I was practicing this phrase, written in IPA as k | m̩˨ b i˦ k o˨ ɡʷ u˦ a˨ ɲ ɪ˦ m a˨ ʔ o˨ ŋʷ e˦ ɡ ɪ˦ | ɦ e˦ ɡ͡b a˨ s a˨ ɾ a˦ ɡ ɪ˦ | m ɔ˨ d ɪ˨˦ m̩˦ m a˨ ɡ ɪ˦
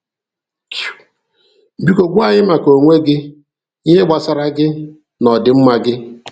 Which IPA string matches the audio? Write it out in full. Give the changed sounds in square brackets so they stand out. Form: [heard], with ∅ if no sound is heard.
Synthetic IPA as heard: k | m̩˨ b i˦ k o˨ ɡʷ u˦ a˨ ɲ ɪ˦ m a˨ [k] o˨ ŋʷ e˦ ɡ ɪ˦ | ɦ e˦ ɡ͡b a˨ s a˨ ɾ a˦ ɡ ɪ˦ | [n] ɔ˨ d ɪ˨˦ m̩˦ m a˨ ɡ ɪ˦